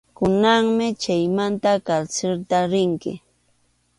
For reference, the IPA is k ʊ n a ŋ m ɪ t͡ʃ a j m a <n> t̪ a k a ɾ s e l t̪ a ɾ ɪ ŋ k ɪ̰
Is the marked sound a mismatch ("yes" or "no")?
no